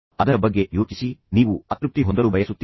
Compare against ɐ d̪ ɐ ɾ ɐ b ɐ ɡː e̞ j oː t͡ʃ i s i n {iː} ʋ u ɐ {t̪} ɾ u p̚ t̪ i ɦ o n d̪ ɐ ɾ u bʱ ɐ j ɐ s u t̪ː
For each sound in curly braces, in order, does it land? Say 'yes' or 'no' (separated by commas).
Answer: yes, yes